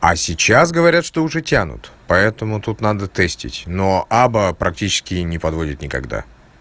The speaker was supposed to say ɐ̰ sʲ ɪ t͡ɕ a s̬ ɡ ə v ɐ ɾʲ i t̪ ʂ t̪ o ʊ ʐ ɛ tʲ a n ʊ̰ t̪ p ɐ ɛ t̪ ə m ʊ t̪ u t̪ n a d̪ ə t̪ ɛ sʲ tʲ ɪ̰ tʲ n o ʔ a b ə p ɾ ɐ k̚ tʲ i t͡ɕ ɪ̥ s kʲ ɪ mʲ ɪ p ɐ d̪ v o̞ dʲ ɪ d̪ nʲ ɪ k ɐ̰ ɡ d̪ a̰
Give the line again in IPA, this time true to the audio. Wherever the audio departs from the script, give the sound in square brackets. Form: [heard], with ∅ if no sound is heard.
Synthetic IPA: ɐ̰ sʲ ɪ t͡ɕ a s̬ ɡ ə v ɐ ɾʲ [a] t̪ ʂ t̪ o ʊ ʐ ɛ tʲ a n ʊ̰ t̪ p ɐ ɛ t̪ ə m ʊ t̪ u t̪ n a d̪ ə t̪ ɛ sʲ tʲ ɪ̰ tʲ n o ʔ a b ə p ɾ ɐ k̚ tʲ i t͡ɕ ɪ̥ s kʲ ɪ [nʲ] ɪ p ɐ d̪ v o̞ dʲ ɪ [t̪] nʲ ɪ k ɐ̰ ɡ d̪ a̰

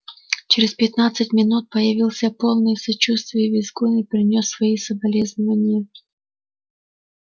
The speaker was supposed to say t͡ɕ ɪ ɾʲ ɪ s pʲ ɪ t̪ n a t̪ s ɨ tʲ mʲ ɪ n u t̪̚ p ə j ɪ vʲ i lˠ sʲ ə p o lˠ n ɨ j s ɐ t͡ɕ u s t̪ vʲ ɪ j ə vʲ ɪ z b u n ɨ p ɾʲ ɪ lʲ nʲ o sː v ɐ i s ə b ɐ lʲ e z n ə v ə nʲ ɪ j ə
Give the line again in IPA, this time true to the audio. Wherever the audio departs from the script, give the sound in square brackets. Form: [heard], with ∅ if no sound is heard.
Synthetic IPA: t͡ɕ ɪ ɾʲ ɪ s pʲ ɪ t̪ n a t̪ s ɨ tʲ mʲ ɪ n u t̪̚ p ə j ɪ vʲ i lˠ sʲ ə p o lˠ n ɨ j s ɐ t͡ɕ u s t̪ vʲ ɪ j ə vʲ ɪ z [ɡ] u n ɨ p ɾʲ ɪ [∅] nʲ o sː v ɐ i s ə b ɐ lʲ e z n ə v ə nʲ ɪ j ə

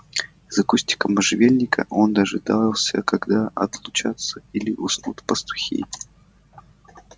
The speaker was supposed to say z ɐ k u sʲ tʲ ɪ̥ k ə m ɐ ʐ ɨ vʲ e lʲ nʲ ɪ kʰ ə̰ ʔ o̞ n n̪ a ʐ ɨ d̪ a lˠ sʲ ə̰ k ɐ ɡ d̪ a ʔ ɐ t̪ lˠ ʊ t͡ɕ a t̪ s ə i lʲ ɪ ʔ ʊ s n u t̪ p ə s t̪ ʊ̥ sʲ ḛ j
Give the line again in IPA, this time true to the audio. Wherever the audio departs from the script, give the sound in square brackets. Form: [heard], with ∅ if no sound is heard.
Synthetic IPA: z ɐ k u sʲ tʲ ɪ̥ k ə m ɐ ʐ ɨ vʲ e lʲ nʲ ɪ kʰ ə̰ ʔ o̞ n [d̪] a ʐ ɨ d̪ a lˠ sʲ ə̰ k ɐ ɡ d̪ a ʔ ɐ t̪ lˠ ʊ t͡ɕ a t̪ s ə i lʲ ɪ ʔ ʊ s n u t̪ p ə s t̪ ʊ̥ [xʲ] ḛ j

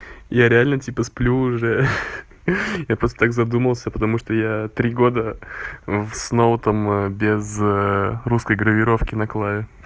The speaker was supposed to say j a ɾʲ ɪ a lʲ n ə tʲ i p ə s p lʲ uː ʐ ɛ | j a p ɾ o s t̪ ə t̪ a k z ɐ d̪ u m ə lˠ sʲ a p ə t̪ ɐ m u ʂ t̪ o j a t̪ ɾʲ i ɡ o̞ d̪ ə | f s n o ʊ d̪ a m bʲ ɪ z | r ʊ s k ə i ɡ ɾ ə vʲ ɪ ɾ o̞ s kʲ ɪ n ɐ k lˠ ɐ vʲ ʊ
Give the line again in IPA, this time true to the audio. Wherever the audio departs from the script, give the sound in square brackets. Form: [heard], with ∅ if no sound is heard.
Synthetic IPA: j a ɾʲ ɪ a lʲ n ə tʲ i p ə s p lʲ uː ʐ ɛ | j a p ɾ o s t̪ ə t̪ a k z ɐ d̪ u m ə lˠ sʲ [ə] p ə t̪ ɐ m u ʂ t̪ o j a t̪ ɾʲ i ɡ o̞ d̪ ə | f s n o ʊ [t̪] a m bʲ ɪ z | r [u] s k ə [j] ɡ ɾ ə vʲ ɪ ɾ o̞ [f] kʲ ɪ n ɐ k lˠ [a] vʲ ʊ

